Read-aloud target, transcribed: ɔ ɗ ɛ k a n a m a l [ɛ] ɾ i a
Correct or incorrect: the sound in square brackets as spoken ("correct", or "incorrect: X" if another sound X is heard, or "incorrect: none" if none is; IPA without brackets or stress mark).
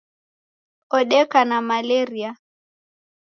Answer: correct